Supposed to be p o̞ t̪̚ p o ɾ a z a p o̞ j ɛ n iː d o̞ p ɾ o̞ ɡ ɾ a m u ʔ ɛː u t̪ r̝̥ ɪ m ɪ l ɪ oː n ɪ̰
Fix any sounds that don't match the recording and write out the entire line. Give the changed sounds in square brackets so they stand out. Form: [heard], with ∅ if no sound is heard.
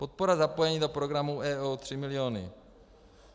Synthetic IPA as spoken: p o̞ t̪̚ p o ɾ a z a p o̞ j ɛ [ɲ] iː d o̞ p ɾ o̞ ɡ ɾ a m u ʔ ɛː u t̪ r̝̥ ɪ m ɪ l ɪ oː n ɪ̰